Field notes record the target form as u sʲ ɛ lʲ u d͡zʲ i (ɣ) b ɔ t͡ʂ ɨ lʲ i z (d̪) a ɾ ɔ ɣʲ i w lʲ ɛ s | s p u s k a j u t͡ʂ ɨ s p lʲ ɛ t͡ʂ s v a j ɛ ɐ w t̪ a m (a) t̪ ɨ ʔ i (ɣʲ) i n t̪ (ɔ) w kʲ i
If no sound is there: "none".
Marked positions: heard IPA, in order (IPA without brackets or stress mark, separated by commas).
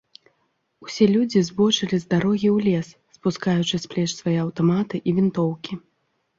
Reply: z, d̪, a, vʲ, ɔ